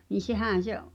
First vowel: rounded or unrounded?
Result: unrounded